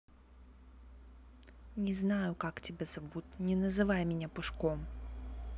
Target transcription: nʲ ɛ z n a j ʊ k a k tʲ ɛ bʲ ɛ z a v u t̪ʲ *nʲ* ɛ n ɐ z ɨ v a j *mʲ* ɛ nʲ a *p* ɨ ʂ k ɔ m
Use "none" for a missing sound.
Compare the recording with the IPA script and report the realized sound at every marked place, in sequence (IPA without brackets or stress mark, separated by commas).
nʲ, mʲ, p